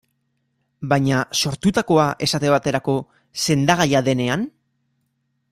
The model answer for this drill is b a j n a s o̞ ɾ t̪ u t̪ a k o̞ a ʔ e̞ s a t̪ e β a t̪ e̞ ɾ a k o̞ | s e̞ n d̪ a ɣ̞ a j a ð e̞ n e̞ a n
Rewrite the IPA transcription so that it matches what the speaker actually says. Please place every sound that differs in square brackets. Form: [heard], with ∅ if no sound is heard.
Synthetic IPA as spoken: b a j [ɲ] a s o̞ ɾ t̪ u t̪ a k o̞ a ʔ e̞ s a t̪ e β a t̪ e̞ ɾ a k o̞ | s e̞ n d̪ a ɣ̞ a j a ð e̞ n e̞ a n